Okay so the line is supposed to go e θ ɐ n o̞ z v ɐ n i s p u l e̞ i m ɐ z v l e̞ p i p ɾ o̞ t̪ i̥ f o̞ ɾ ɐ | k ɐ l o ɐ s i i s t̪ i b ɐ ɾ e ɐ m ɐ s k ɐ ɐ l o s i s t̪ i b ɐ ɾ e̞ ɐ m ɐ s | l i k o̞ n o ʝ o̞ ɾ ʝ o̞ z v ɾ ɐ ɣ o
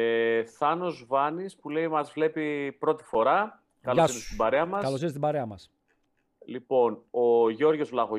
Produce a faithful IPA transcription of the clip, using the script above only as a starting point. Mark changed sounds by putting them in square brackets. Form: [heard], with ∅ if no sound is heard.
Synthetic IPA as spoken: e θ ɐ n o̞ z v ɐ n i s p u l e̞ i m ɐ z v l e̞ p i p ɾ o̞ t̪ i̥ f o̞ ɾ ɐ | k ɐ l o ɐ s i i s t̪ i b ɐ ɾ e ɐ m ɐ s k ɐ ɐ l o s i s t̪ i b ɐ ɾ e̞ ɐ m ɐ s | l i [p] o̞ n o ʝ o̞ ɾ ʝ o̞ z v [l] ɐ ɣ o